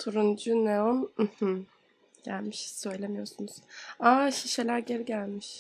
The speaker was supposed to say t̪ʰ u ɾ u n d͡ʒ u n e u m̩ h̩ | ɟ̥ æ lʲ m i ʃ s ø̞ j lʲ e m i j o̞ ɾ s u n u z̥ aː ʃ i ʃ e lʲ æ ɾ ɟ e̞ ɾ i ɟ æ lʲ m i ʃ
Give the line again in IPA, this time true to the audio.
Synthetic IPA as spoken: t̪ʰ u ɾ u n d͡ʒ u n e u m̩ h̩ | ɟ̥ æ lʲ m i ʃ s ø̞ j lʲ e m i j o̞ ɾ s u n u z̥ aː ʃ i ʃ e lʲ æ ɾ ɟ e̞ ɾ i ɟ æ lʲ m i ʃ